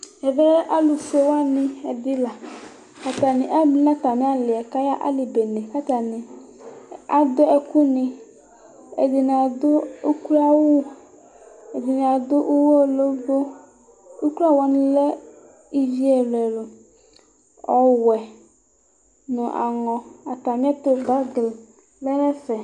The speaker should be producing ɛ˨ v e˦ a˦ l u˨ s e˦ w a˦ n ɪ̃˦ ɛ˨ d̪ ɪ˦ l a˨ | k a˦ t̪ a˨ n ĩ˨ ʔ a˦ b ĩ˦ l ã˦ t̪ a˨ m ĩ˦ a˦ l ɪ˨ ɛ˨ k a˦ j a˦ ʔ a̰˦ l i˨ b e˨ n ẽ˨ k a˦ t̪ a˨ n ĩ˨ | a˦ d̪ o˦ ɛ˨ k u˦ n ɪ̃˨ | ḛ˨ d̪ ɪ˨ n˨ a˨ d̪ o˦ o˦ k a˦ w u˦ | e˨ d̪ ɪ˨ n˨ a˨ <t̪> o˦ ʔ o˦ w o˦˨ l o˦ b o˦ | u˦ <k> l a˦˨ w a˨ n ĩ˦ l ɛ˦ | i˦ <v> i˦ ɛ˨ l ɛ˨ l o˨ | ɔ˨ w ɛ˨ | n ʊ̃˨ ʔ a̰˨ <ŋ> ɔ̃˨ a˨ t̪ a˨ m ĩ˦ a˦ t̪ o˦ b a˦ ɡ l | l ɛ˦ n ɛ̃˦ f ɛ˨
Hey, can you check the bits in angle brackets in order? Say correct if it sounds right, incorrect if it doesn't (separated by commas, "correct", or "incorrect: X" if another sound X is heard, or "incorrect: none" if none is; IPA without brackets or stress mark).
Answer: incorrect: d̪, correct, correct, correct